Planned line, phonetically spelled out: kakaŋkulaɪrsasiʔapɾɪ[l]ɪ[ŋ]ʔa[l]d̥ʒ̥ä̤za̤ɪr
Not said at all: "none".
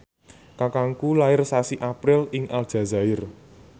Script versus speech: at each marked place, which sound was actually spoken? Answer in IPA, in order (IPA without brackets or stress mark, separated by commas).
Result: l, ŋ, l